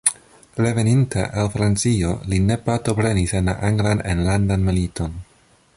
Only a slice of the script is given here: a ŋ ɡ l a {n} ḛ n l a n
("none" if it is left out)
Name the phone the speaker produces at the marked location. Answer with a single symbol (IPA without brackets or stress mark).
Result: n